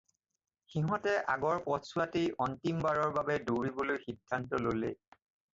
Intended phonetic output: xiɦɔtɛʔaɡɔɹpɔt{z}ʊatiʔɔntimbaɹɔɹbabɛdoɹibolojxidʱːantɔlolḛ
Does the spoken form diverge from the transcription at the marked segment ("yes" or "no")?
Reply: yes